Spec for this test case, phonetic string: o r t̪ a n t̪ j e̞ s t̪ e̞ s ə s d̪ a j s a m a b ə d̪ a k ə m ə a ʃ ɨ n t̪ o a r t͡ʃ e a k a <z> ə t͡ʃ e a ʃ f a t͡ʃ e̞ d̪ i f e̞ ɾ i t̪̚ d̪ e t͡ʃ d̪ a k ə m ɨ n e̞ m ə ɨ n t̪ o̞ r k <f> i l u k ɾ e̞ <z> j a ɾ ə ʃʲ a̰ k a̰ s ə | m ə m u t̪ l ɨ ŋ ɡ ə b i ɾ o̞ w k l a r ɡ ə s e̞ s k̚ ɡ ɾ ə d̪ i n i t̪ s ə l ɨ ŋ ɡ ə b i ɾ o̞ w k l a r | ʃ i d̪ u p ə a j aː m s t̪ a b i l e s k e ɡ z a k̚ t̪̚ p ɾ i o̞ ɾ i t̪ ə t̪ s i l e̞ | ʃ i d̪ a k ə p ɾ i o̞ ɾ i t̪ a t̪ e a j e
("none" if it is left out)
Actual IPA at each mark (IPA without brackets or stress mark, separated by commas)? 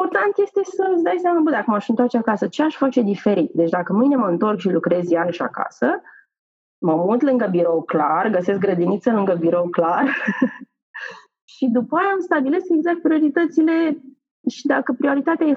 s, ʃ, z